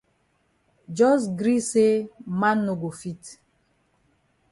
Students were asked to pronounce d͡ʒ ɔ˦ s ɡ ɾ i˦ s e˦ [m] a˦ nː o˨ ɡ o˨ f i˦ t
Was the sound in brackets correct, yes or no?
yes